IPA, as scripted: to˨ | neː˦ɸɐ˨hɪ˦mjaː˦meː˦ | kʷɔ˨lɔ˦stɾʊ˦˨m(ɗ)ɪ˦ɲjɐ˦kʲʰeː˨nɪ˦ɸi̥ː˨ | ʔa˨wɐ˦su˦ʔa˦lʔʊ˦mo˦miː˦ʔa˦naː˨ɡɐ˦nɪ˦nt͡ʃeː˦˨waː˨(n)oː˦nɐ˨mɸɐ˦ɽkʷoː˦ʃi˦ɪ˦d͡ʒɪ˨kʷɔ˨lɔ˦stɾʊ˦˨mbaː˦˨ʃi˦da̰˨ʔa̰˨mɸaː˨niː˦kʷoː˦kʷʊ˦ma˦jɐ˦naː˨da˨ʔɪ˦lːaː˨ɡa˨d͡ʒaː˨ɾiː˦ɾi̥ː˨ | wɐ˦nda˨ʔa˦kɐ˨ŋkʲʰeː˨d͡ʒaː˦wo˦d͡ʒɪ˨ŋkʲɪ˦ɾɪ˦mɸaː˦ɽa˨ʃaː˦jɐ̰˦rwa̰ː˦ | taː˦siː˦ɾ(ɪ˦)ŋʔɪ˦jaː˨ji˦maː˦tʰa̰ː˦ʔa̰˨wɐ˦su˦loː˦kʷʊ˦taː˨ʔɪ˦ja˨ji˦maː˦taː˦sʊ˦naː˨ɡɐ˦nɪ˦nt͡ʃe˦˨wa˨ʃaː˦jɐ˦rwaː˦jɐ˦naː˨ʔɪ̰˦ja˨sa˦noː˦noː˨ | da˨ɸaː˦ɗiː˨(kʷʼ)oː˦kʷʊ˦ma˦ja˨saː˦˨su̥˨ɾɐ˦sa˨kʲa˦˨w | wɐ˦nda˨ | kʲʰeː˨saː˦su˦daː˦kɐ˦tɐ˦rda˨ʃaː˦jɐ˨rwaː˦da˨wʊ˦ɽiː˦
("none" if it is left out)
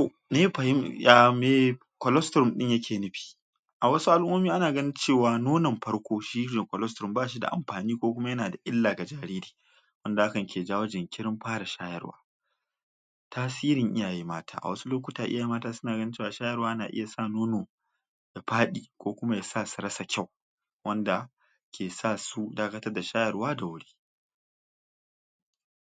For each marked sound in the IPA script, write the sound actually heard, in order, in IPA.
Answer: ɗ, n, ɪ˨, kʷ

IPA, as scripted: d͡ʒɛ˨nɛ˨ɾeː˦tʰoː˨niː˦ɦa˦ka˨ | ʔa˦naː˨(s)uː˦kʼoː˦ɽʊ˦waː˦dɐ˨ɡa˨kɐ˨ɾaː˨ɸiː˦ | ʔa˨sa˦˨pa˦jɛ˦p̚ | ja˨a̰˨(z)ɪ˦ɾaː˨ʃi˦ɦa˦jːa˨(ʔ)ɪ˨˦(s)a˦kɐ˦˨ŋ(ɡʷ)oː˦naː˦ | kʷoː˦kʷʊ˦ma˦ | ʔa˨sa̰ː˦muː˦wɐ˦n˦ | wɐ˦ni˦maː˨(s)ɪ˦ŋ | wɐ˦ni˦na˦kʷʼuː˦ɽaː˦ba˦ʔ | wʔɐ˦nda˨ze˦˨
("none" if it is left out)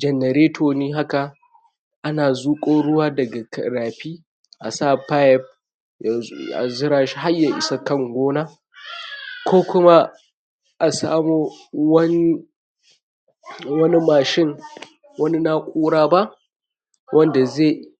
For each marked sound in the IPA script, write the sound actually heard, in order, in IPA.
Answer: z, z, ʔ, s, ɡʷ, ʃ

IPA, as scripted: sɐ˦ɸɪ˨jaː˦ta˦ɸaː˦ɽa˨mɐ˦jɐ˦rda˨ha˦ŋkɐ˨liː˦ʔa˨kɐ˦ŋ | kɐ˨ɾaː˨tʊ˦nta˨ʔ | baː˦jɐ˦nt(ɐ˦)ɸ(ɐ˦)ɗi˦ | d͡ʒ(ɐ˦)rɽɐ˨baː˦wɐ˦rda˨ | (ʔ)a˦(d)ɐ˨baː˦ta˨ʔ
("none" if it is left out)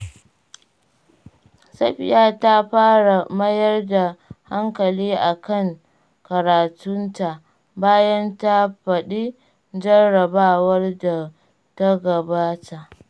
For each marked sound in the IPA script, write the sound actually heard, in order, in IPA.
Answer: a˦, ɐ˨, ɐ˦, t, ɡ

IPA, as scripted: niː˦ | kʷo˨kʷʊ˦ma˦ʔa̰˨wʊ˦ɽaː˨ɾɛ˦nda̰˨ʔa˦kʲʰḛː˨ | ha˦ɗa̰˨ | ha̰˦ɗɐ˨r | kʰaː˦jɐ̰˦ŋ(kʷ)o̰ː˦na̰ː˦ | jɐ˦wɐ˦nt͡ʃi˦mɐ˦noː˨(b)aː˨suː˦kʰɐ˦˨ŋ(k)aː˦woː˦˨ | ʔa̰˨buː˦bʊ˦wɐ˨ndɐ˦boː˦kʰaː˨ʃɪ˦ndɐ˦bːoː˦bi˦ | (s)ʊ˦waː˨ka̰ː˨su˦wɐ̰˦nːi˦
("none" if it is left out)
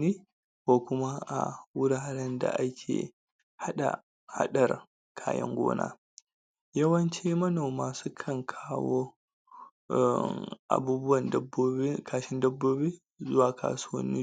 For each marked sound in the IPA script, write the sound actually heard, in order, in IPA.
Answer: ɡʷ, m, kʰ, z

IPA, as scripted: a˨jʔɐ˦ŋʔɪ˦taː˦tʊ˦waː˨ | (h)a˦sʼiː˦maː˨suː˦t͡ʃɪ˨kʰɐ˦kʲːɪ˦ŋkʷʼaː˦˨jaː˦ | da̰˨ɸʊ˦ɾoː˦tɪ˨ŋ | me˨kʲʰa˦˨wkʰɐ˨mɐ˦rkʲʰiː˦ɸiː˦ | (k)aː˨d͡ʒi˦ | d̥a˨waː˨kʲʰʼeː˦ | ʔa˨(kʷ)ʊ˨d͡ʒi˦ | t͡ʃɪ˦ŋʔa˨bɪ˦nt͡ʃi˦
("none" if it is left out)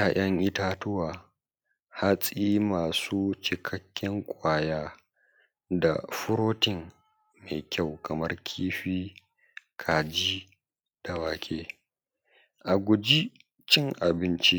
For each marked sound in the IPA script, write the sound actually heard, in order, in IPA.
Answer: h, kʰ, ɡʷ

